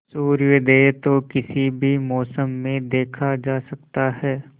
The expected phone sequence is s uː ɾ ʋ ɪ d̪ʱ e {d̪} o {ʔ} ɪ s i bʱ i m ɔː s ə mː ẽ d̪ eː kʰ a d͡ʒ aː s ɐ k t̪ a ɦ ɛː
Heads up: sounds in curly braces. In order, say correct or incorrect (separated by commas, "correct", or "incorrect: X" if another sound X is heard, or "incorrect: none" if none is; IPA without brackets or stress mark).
incorrect: t̪, incorrect: k